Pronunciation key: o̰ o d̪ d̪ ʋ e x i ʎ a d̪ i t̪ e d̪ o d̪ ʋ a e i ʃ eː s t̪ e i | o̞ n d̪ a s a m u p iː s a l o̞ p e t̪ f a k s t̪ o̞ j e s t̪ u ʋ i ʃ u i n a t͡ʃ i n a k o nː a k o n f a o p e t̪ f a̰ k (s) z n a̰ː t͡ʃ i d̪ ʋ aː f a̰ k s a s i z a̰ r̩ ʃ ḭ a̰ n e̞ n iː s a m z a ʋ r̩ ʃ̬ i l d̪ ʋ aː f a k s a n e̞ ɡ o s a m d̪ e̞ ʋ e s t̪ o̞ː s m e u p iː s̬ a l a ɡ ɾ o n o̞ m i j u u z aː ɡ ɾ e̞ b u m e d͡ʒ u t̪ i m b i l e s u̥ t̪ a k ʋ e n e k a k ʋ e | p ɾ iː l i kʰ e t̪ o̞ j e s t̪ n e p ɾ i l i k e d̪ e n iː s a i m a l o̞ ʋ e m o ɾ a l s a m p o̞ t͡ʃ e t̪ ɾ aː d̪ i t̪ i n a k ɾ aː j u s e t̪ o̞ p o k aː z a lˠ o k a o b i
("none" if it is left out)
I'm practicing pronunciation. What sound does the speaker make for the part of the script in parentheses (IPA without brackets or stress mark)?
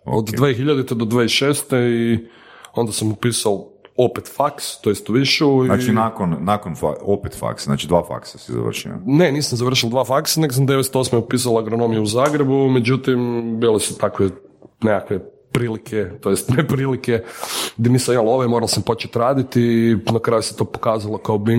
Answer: s